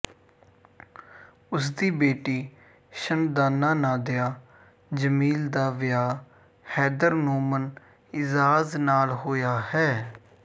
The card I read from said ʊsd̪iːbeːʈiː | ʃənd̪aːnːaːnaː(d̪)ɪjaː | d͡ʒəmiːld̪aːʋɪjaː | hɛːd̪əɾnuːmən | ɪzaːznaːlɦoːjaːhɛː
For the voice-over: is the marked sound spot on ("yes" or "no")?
yes